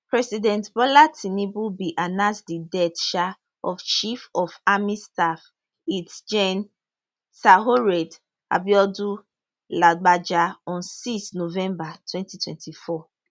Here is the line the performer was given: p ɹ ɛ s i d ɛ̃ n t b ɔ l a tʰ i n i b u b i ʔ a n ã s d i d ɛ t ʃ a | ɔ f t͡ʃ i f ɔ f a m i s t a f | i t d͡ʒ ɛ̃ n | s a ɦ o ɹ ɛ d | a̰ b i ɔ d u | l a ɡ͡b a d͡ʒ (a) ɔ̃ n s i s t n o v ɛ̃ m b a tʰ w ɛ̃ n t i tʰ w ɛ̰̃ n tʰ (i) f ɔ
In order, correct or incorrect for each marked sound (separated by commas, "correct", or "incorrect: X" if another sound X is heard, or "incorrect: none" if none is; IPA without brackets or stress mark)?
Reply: correct, correct